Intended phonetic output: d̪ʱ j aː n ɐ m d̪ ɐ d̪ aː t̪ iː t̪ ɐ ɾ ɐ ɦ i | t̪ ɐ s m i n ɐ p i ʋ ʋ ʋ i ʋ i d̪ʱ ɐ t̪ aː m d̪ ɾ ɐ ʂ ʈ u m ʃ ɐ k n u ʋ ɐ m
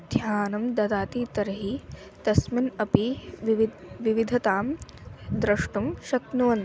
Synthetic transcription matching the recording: d̪ʱ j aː n ɐ m d̪ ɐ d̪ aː t̪ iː t̪ ɐ ɾ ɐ ɦ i | t̪ ɐ s m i n ɐ p i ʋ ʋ ʋ i ʋ i d̪ʱ ɐ t̪ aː m d̪ ɾ ɐ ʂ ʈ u m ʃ ɐ k n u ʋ ɐ n

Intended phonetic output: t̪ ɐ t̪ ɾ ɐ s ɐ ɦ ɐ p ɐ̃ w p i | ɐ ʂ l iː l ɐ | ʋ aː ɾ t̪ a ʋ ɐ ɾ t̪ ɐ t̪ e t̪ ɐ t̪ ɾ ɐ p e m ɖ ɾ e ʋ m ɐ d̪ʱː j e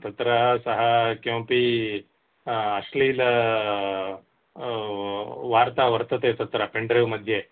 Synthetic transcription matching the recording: t̪ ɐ t̪ ɾ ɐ s ɐ ɦ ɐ k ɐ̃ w p i | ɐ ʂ l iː l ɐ | ʋ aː ɾ t̪ a ʋ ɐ ɾ t̪ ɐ t̪ e t̪ ɐ t̪ ɾ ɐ p e ɳ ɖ ɾ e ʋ m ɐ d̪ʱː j e

